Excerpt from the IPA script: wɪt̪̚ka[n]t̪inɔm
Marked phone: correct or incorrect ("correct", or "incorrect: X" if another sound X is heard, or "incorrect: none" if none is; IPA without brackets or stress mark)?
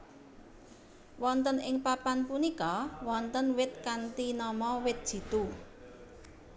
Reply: correct